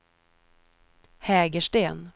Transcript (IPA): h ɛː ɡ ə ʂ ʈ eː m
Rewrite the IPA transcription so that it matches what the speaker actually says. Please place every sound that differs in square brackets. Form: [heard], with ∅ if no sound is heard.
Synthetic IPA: h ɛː ɡ ə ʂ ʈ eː [n]